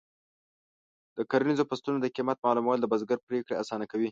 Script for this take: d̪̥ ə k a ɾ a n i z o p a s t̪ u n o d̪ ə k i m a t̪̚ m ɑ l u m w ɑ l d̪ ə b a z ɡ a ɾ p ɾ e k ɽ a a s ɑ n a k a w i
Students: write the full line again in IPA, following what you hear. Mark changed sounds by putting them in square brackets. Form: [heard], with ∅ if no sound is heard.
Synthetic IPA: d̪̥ ə k a ɾ a n i z o p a s t̪ u n o d̪ ə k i m a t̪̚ m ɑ l u m w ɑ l d̪ ə b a z ɡ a ɾ p ɾ e k ɽ [e] a s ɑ n a k a w i

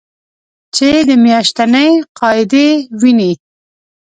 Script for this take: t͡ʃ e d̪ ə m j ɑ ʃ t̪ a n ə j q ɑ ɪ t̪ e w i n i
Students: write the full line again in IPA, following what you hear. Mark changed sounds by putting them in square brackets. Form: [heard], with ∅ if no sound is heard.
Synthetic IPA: t͡ʃ e d̪ ə m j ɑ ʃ t̪ a n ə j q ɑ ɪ [d̪] e w i n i

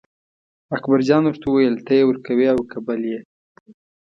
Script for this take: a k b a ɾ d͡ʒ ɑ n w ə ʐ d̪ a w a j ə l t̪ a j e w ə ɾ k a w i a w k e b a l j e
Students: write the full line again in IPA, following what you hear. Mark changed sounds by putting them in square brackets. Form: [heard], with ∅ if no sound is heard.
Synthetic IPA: a k b a ɾ d͡ʒ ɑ n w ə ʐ [t̪] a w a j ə l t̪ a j e w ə ɾ k a w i a w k [a] b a l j e

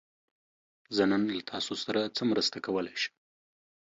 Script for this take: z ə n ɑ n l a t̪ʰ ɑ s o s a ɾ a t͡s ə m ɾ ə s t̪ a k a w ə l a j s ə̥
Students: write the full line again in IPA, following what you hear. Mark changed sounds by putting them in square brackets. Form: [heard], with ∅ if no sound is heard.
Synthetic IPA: z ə n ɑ n l a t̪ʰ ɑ s o s a ɾ a t͡s ə m ɾ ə s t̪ a k a w ə l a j [ʃ] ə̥

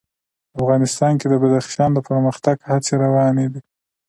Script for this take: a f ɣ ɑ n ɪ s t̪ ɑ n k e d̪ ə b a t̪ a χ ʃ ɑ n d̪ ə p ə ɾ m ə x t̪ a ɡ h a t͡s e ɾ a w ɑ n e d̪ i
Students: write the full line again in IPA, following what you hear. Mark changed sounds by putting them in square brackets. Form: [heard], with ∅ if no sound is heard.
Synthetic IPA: a f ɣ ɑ n ɪ s t̪ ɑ n k e d̪ ə b a [d̪] a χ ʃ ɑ n d̪ ə p ə ɾ m ə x t̪ a ɡ h a t͡s e ɾ a w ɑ n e d̪ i

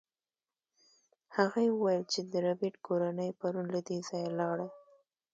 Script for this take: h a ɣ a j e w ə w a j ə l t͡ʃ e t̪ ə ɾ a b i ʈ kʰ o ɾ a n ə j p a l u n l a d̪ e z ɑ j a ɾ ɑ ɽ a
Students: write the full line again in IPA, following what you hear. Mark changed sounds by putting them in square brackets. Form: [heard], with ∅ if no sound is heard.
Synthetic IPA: h a ɣ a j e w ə w a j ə l t͡ʃ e [d̪] ə ɾ a b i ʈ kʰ o ɾ a n ə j p a [ɾ] u n l a d̪ e z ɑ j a [l] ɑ ɽ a

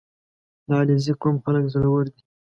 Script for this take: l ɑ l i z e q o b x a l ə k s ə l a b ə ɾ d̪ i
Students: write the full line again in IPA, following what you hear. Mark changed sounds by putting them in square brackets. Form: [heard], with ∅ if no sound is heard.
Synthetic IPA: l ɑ l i z [i] q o [m] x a l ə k [z] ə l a [w] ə ɾ d̪ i

